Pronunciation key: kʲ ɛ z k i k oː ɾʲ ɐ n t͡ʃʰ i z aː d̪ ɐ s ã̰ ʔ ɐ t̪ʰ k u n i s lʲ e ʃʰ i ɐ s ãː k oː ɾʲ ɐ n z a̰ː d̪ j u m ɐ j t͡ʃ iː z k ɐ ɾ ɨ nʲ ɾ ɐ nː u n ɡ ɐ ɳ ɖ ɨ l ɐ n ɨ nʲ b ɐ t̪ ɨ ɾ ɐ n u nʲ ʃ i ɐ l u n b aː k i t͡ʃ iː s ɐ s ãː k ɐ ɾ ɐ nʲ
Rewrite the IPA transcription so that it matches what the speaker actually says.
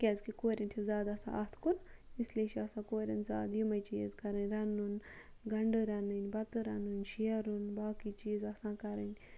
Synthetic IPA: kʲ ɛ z k i k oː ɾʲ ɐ n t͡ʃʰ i z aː d̪ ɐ s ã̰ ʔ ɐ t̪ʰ k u n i s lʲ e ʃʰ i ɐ s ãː k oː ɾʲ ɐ n z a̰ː d̪ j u m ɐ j t͡ʃ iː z k ɐ ɾ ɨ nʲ ɾ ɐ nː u n ɡ ɐ ɳ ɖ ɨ ɾ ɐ n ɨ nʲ b ɐ t̪ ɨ ɾ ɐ n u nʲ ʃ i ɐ ɾ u n b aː k i t͡ʃ iː z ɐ s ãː k ɐ ɾ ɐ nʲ

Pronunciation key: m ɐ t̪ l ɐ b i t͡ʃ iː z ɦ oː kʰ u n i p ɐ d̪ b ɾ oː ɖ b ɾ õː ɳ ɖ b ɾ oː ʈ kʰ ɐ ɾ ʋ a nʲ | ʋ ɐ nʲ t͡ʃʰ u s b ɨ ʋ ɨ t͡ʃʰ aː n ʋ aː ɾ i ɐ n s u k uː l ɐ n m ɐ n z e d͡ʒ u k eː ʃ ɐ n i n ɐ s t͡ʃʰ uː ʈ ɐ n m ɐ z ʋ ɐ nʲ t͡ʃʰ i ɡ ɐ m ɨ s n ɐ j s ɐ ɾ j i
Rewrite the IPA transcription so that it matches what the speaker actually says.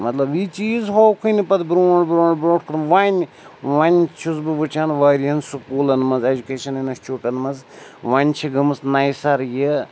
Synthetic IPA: m ɐ t̪ l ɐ b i t͡ʃ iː z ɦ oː kʰ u n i p ɐ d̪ b ɾ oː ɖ b ɾ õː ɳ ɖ b ɾ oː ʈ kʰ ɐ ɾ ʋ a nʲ | ʋ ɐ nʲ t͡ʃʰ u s b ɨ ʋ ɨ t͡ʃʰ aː n ʋ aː ɾ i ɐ n s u k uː l ɐ n m ɐ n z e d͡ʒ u k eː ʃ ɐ n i n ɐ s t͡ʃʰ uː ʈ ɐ n m ɐ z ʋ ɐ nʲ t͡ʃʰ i ɡ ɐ m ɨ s n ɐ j s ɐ ɾ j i

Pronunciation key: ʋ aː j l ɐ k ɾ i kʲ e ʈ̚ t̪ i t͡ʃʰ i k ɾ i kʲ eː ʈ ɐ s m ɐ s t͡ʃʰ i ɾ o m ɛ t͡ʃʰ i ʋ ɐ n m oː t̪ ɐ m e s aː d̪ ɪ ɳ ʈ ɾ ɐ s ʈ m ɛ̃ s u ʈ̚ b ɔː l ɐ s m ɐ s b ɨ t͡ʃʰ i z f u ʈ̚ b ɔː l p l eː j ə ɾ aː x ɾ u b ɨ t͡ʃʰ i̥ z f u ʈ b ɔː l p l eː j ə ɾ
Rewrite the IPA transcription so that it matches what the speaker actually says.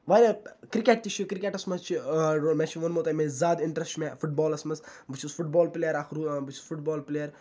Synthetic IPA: ʋ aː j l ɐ k ɾ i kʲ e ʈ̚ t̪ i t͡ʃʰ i k ɾ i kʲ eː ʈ ɐ s m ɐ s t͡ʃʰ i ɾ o m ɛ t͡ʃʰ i ʋ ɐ n m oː t̪ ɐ m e z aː d̪ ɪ ɳ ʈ ɾ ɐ s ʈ m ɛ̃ f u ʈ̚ b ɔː l ɐ s m ɐ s b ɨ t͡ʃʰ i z f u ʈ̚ b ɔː l p l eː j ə ɾ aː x ɾ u b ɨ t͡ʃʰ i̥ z f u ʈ b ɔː l p l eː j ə ɾ

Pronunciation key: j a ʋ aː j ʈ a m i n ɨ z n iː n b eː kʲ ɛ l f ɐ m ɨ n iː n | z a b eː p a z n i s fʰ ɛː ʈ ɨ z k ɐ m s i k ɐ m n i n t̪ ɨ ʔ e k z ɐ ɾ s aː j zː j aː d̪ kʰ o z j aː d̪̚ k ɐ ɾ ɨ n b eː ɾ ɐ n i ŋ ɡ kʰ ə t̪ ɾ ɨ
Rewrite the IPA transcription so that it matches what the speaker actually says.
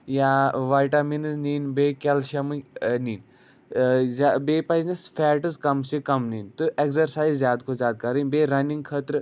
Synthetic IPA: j a ʋ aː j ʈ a m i n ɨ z n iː n b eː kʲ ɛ l ʃ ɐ m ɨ n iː n | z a b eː p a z n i s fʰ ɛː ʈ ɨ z k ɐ m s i k ɐ m n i n t̪ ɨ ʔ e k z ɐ ɾ s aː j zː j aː d̪ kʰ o z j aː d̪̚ k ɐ ɾ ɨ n b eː ɾ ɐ n i ŋ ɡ kʰ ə t̪ ɾ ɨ

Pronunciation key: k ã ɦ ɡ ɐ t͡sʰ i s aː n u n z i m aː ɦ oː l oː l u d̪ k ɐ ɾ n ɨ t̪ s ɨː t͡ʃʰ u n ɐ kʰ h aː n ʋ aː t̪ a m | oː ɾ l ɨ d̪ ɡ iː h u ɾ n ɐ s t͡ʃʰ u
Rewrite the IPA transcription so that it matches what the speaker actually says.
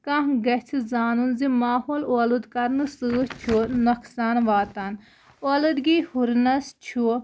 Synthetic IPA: k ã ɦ ɡ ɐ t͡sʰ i z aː n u n z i m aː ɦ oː l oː l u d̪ k ɐ ɾ n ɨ s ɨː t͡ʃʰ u n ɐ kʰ s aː n ʋ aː t̪ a n | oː l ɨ d̪ ɡ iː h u ɾ n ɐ s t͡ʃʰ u

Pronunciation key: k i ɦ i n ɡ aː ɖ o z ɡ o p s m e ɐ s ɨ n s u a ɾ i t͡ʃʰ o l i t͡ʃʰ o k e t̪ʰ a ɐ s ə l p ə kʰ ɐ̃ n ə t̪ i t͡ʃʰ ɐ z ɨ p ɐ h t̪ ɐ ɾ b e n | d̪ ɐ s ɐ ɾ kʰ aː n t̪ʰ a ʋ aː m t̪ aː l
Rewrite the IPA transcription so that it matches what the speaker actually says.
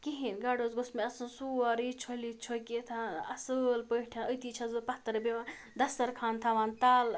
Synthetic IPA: k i ɦ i n ɡ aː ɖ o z ɡ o s m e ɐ s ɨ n s u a ɾ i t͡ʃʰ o l i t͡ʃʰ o k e t̪ʰ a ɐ s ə l p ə ʈʰ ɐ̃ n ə t̪ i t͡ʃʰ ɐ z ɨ p ɐ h t̪ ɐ ɾ b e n | d̪ ɐ s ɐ ɾ kʰ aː n t̪ʰ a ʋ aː n t̪ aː l

